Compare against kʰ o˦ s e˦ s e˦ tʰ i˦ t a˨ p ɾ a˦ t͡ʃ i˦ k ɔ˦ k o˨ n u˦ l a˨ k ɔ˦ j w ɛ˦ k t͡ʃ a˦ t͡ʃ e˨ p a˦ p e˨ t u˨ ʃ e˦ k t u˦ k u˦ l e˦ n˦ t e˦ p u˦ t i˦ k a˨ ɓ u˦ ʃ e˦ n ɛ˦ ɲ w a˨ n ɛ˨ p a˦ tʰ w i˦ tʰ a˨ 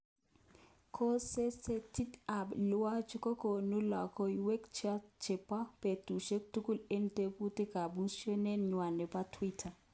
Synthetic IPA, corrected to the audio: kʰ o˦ s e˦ s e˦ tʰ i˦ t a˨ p l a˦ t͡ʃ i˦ k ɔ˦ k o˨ n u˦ l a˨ k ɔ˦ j w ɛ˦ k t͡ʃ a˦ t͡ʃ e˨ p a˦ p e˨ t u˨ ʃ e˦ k t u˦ k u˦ l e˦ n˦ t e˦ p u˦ t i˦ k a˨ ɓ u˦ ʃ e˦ n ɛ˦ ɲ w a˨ n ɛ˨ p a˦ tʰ w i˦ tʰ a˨